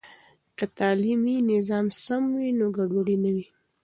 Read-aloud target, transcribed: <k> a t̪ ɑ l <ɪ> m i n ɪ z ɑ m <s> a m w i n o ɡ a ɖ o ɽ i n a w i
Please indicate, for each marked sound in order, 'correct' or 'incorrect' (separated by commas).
correct, incorrect, correct